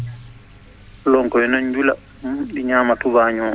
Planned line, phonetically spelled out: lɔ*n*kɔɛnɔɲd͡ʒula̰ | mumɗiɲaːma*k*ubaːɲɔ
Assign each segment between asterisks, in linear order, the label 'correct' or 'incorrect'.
incorrect: ŋ, incorrect: t

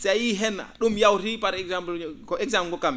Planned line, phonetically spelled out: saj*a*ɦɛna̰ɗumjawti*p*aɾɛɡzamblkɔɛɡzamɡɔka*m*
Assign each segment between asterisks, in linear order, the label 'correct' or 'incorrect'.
incorrect: i, correct, correct

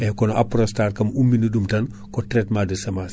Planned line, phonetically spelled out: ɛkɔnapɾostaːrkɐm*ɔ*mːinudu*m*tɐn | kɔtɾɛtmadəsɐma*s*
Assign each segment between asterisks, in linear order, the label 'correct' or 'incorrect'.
incorrect: u, correct, correct

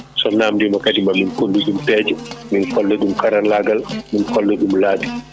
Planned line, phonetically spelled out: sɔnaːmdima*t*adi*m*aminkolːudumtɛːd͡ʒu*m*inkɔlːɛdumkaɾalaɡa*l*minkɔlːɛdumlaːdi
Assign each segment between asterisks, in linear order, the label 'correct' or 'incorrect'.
incorrect: k, correct, correct, correct

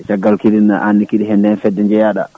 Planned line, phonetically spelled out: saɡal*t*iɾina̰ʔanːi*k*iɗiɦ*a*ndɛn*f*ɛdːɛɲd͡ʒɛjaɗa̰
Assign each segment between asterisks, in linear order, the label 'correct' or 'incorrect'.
incorrect: k, correct, incorrect: ɛ, correct

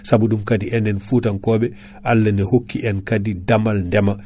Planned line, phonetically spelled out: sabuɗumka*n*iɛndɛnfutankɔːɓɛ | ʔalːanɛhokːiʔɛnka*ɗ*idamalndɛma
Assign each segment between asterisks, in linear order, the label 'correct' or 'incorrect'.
incorrect: d, incorrect: d

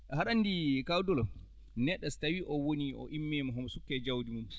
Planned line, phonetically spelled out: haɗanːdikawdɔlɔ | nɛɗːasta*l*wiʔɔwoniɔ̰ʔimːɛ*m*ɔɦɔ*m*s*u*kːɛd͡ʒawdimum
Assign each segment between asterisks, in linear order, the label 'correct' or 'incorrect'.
incorrect: none, correct, correct, correct

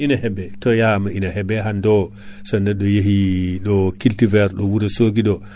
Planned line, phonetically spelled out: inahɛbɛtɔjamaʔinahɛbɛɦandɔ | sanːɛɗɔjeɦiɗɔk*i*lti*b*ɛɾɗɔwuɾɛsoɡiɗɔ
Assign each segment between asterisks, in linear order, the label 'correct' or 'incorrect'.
correct, incorrect: v

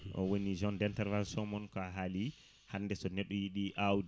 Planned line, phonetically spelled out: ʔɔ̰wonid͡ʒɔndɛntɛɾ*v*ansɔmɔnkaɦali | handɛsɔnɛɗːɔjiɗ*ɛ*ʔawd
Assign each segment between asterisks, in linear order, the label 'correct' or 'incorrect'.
correct, incorrect: i

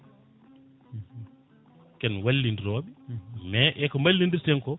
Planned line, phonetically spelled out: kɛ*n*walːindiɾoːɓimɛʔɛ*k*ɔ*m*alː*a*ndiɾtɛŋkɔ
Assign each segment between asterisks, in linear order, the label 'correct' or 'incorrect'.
correct, correct, correct, incorrect: i

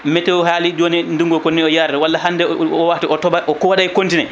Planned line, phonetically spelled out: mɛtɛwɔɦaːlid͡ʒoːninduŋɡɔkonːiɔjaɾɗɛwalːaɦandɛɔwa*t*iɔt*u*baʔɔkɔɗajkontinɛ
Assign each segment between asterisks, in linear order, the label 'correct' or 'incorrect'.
correct, incorrect: ɔ

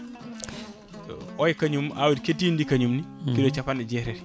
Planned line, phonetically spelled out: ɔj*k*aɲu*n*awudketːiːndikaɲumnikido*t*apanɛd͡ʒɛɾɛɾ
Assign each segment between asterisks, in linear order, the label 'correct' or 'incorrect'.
correct, incorrect: m, incorrect: t͡ʃ

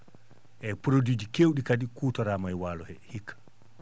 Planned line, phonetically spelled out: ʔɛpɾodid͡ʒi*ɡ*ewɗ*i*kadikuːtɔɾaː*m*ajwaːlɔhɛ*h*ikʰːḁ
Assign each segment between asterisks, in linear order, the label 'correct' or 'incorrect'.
incorrect: k, correct, correct, correct

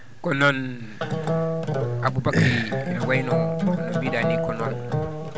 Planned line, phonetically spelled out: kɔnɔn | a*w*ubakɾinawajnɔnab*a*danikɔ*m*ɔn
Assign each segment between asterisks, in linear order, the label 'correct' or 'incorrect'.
incorrect: b, incorrect: i, incorrect: n

